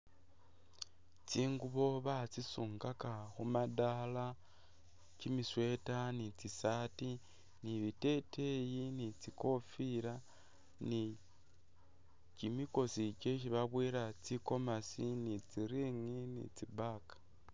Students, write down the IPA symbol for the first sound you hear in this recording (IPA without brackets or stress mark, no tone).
t͡s